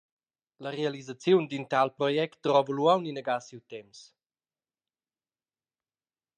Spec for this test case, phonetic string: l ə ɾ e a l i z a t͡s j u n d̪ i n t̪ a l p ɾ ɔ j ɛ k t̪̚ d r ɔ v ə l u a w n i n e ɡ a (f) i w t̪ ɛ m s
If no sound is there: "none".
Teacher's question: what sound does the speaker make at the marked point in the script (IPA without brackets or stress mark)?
s